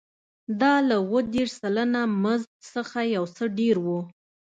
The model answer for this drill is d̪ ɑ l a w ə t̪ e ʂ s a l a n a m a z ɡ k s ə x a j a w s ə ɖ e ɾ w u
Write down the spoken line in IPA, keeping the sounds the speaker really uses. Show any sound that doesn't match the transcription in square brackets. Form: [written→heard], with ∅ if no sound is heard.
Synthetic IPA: d̪ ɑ l a w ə [t̪→d̪] e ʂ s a l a n a m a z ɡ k s ə x a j a w s ə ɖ e ɾ w u